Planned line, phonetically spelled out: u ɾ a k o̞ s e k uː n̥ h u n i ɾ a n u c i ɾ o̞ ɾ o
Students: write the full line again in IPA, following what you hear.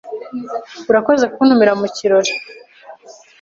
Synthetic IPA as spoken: u ɾ a k o̞ z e k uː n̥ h u m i ɾ a m u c i ɾ o̞ ɾ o